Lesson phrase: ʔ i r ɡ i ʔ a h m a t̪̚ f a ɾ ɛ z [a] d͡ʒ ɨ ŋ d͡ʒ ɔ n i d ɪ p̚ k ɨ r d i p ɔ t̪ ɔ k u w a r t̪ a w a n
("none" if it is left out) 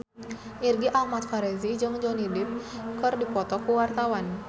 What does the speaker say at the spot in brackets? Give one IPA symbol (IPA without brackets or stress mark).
i